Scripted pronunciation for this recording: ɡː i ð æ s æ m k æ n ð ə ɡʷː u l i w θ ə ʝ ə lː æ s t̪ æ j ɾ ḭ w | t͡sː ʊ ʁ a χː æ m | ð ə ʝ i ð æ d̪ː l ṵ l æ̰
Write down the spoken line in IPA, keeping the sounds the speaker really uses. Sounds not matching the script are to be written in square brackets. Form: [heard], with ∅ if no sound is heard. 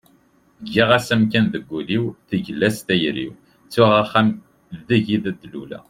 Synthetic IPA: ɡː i [ʁ] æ s æ m k æ n ð ə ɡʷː u l i w θ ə ʝ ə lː æ s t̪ æ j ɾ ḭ w | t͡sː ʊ ʁ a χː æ m | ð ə ʝ i ð æ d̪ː l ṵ l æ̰